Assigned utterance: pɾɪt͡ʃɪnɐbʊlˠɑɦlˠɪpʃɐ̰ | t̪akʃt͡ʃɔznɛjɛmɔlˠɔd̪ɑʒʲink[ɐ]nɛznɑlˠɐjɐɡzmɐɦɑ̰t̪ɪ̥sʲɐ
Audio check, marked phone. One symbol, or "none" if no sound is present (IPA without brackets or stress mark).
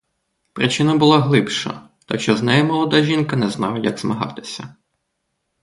ɐ